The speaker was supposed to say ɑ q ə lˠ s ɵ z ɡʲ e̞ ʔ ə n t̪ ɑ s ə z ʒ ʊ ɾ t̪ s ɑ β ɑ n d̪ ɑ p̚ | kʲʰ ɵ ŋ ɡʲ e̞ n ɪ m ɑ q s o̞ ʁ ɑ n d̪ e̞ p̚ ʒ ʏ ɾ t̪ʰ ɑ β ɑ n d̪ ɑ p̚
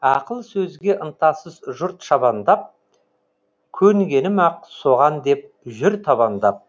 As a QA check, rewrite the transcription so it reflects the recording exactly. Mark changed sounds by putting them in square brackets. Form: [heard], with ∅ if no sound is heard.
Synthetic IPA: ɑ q ə lˠ s ɵ z ɡʲ e̞ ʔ ə n t̪ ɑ s ə z ʒ ʊ ɾ t̪ [ʃ] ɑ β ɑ n d̪ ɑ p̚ | kʲʰ ɵ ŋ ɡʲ e̞ n ɪ m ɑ q s o̞ ʁ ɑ n d̪ e̞ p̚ ʒ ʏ ɾ t̪ʰ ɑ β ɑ n d̪ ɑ p̚